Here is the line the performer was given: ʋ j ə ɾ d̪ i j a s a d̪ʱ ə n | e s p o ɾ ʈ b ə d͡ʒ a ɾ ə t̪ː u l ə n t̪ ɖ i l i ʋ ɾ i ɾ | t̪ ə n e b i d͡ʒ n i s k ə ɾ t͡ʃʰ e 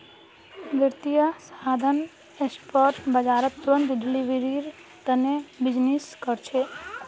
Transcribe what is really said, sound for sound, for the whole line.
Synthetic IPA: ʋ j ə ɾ t̪ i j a s a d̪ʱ ə n | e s p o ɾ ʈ b ə d͡ʒ a ɾ ə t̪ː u ɾ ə n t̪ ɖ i l i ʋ ɾ i ɾ | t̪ ə n e b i d͡ʒ n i s k ə ɾ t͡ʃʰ e